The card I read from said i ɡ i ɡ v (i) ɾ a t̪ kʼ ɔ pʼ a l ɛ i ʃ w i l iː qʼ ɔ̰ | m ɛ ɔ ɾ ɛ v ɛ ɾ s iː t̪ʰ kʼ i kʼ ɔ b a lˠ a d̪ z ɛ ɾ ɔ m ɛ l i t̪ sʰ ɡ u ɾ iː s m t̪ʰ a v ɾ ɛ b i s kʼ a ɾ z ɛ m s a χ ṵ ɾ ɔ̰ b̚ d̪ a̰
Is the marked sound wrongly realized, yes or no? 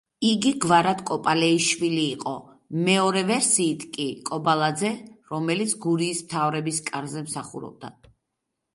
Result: yes